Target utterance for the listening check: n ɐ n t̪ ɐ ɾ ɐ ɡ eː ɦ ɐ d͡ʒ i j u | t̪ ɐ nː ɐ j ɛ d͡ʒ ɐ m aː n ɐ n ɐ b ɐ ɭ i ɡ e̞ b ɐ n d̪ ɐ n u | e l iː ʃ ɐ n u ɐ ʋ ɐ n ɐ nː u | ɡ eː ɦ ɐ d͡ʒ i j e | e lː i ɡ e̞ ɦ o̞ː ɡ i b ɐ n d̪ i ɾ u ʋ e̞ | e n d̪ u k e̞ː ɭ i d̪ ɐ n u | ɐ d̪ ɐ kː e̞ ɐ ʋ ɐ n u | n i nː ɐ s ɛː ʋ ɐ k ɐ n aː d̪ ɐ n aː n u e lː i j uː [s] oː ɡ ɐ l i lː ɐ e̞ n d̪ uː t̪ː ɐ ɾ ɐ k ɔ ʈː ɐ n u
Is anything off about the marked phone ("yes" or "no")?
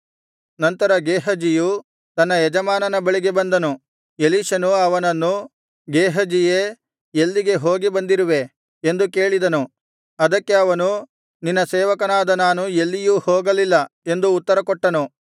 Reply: yes